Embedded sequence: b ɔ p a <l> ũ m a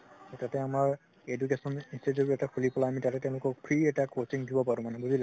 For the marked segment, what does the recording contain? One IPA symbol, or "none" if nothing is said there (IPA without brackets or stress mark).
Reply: ɹ